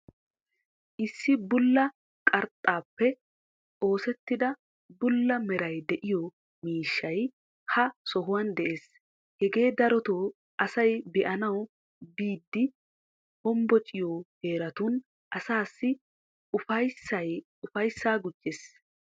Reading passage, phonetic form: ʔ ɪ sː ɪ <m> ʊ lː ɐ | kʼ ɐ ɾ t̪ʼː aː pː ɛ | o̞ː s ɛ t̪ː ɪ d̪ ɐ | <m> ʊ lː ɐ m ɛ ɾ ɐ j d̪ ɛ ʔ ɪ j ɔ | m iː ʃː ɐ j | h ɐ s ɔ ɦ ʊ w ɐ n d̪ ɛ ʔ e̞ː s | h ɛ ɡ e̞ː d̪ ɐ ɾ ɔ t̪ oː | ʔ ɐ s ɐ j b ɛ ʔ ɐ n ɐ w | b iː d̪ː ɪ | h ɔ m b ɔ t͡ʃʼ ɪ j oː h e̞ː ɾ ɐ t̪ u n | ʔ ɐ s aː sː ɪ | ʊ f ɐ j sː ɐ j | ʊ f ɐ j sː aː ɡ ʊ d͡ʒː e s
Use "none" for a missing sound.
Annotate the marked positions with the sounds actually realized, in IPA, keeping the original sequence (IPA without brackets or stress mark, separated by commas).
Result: b, b